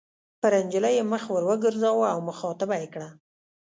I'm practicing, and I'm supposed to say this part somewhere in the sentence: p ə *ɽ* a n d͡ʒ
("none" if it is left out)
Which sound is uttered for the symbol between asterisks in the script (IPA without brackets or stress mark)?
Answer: ɾ